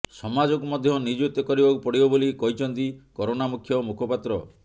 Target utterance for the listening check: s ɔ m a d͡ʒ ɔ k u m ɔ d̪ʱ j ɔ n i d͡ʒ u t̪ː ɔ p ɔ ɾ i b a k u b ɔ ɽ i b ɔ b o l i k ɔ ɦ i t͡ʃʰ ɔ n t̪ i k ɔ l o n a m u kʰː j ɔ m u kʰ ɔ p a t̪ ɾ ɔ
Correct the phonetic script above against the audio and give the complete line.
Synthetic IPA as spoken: s ɔ m a d͡ʒ ɔ k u m ɔ d̪ʱ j ɔ n i d͡ʒ u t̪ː ɔ k ɔ ɾ i b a k u p ɔ ɽ i b ɔ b o l i k ɔ ɦ i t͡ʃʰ ɔ n t̪ i k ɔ ɾ o n a m u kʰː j ɔ m u kʰ ɔ p a t̪ ɾ ɔ